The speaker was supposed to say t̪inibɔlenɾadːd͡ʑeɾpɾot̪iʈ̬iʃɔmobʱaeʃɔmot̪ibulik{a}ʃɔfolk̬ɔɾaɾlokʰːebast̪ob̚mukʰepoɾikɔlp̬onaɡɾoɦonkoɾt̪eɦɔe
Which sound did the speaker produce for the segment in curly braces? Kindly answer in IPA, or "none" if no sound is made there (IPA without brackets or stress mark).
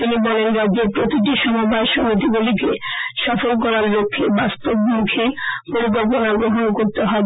e